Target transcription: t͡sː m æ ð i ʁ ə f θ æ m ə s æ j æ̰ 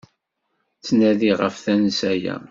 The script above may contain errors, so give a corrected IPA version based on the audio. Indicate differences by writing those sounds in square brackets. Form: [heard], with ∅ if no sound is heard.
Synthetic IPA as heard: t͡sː [n] æ ð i ʁ ə f θ æ [n] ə s æ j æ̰